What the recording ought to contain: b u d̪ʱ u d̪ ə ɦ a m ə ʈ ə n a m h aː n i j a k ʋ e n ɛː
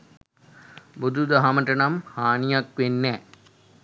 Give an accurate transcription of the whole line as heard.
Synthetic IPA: b u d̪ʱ u d̪ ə ɦ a m ə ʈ ə n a m h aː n i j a k ʋ e nː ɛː